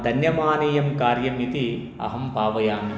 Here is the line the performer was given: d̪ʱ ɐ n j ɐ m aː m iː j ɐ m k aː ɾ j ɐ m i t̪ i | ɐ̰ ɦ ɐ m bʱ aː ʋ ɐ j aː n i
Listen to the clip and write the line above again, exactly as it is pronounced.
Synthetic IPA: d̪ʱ ɐ n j ɐ m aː n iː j ɐ m k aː ɾ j ɐ m i t̪ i | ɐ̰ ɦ ɐ m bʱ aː ʋ ɐ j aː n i